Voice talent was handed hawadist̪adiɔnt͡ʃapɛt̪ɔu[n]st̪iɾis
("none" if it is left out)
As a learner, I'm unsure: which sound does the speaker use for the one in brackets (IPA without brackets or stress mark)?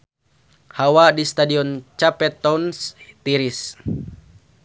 n